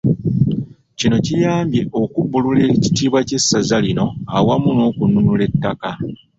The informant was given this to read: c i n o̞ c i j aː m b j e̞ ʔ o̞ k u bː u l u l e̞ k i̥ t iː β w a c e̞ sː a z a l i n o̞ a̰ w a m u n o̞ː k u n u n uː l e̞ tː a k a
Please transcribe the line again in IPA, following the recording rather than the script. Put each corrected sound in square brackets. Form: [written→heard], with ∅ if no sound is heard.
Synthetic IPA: c i n o̞ c i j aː m b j e̞ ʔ o̞ k u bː u l u l e̞ [k→c] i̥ t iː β w a c e̞ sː a z a l i n o̞ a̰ w a m u n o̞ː k u n u n [uː→u] l e̞ tː a k a